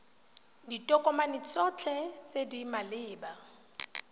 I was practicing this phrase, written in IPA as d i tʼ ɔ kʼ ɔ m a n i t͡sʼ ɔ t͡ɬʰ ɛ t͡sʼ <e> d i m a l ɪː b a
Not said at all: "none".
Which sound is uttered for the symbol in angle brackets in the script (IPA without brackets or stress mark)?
e